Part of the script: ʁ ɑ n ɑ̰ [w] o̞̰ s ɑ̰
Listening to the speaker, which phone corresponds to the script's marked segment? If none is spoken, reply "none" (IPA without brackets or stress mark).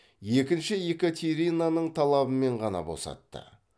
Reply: b